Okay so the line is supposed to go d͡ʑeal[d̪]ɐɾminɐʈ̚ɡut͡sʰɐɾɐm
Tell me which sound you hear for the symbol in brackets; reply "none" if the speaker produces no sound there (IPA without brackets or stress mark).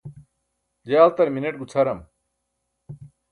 t̪